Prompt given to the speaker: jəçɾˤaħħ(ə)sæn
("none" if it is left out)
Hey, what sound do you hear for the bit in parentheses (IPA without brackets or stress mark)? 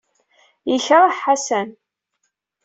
a